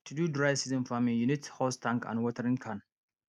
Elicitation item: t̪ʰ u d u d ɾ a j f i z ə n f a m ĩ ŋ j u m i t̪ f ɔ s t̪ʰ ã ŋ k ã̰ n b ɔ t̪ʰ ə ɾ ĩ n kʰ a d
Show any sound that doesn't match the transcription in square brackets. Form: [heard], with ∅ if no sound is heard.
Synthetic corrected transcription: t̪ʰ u d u d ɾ a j [s] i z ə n f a m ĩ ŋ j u [n] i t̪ [h] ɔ s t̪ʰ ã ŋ k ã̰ n [w] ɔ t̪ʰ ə ɾ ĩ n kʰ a [n]